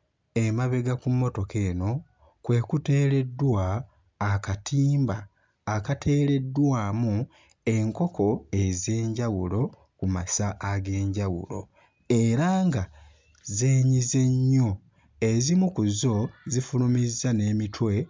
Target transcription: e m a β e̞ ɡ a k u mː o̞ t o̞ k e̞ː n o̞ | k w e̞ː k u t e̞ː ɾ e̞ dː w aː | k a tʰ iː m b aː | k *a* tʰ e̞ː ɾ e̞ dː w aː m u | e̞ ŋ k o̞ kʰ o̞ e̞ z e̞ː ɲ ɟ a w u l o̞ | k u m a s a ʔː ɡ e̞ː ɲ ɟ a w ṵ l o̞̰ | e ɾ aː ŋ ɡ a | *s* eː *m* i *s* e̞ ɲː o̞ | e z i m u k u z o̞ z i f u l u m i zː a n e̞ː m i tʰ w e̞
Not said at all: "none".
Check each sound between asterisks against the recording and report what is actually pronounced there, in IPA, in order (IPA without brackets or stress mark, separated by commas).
a, z, ɲ, z